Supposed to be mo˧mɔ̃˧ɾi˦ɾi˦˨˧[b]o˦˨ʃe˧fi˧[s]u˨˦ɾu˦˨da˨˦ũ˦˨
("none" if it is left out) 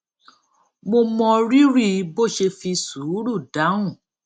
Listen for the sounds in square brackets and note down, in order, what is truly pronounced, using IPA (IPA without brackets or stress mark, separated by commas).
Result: b, s